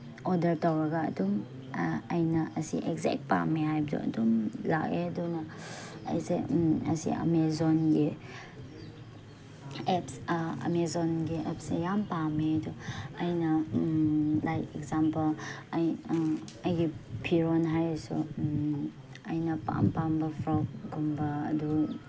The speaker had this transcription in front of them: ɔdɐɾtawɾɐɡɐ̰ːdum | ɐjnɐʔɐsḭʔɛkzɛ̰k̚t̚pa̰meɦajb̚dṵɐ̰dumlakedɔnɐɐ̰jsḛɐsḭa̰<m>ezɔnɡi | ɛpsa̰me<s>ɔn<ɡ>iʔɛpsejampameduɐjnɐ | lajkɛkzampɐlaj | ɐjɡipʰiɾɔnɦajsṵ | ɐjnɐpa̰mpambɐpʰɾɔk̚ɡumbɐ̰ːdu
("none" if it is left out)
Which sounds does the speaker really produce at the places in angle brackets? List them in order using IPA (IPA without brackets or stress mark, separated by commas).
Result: m, z, ɡ